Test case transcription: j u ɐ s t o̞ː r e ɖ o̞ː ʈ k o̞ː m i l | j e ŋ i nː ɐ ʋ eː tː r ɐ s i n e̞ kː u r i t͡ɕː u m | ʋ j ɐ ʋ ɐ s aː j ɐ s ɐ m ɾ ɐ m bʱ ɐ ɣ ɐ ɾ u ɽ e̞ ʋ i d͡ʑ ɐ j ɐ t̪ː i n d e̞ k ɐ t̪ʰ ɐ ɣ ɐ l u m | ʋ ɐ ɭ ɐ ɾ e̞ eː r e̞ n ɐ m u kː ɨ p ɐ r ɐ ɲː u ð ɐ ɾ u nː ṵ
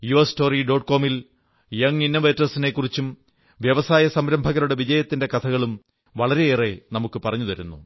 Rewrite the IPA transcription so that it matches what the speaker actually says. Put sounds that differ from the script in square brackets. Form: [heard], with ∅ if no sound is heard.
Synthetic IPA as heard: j u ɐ s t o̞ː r [i] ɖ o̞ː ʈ k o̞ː m i l | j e ŋ i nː ɐ ʋ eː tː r ɐ s i n e̞ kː u r i t͡ɕː u m | ʋ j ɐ ʋ ɐ s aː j ɐ s ɐ m ɾ ɐ m bʱ ɐ ɣ ɐ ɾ u ɽ e̞ ʋ i d͡ʑ ɐ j ɐ t̪ː i n d e̞ k ɐ t̪ʰ ɐ ɣ ɐ [ɭ] u m | ʋ ɐ ɭ ɐ ɾ e̞ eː r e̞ n ɐ m u kː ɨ p ɐ r ɐ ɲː u ð ɐ ɾ u nː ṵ